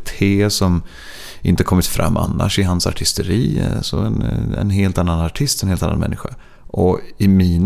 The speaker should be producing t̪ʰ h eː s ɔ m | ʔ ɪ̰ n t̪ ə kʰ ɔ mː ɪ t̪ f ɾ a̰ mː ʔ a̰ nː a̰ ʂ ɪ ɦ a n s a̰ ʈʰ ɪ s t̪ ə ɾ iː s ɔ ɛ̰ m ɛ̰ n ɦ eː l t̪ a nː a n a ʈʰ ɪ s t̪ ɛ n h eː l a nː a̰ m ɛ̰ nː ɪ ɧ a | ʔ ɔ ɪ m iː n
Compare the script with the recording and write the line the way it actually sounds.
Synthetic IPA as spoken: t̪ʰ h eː s ɔ m | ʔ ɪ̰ n t̪ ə kʰ ɔ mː ɪ t̪ f ɾ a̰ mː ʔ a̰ nː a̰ ʂ ɪ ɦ a n s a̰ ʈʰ ɪ s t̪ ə ɾ iː s ɔ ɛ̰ n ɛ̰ n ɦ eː l t̪ a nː a n a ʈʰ ɪ s t̪ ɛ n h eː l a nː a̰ m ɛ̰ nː ɪ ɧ a | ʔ ɔ ɪ m iː n